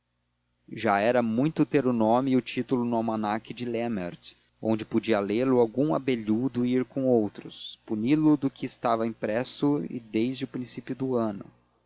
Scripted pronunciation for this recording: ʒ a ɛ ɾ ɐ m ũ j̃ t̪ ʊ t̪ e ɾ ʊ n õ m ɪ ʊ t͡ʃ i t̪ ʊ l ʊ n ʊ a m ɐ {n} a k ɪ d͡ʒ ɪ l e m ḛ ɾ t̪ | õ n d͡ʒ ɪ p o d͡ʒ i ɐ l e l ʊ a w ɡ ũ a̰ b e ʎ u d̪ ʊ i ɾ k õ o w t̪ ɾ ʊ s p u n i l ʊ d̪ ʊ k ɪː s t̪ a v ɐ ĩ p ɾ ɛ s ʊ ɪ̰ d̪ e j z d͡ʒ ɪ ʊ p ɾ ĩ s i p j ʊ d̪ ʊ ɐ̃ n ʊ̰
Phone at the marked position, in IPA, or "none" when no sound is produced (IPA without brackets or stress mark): n